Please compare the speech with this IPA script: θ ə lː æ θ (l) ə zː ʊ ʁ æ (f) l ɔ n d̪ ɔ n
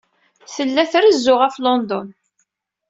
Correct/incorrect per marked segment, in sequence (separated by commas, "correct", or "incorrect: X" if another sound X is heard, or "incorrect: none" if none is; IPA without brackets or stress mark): incorrect: ɾ, correct